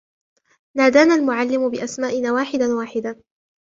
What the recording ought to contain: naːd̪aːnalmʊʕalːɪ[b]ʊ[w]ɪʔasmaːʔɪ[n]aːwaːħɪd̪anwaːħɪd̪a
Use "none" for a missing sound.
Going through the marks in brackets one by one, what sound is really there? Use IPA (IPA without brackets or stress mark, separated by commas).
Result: m, b, n